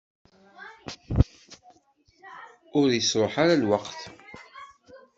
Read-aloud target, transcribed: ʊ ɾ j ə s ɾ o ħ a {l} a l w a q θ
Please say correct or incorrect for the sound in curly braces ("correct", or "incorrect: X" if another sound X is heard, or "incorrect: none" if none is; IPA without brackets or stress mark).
incorrect: ɾ